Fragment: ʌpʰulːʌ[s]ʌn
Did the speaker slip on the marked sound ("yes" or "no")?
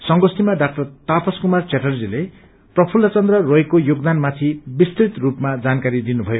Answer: yes